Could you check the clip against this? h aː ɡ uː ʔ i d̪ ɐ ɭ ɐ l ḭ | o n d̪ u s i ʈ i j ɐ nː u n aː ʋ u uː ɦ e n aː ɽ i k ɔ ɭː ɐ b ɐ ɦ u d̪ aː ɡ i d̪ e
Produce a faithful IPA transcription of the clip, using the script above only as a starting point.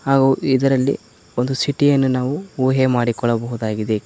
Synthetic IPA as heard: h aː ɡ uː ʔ i d̪ ɐ ɾ ɐ lː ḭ | o n d̪ u s i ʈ i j ɐ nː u n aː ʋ u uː ɦ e m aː ɽ i k ɔ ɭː ɐ b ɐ ɦ u d̪ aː ɡ i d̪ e